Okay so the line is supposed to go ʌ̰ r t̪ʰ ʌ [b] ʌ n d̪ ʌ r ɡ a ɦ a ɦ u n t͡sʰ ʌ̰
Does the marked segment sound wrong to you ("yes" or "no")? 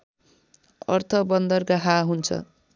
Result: no